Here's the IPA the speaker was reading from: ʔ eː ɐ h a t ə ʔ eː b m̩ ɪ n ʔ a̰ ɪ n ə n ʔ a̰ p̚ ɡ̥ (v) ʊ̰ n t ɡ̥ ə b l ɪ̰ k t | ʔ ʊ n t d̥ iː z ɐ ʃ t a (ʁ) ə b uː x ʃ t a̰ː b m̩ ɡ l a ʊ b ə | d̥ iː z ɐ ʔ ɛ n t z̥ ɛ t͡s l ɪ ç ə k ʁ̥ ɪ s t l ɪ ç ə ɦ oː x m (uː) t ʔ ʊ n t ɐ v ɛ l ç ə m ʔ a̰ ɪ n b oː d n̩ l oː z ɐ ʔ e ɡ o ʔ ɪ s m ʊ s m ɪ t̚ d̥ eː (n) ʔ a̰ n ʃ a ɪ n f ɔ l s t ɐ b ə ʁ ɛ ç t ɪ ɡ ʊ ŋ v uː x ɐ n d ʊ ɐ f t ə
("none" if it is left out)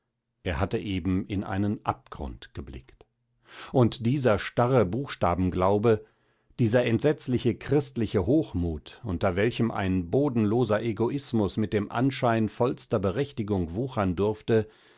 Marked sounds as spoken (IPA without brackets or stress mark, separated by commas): ʁ, ʁ, uː, m